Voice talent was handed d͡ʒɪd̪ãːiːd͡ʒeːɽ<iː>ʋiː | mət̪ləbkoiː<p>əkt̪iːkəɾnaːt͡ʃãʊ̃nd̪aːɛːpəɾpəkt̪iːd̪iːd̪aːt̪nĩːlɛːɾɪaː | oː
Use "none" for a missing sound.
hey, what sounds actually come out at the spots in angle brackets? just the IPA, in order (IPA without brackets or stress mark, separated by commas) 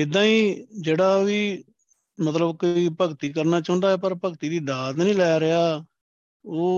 aː, p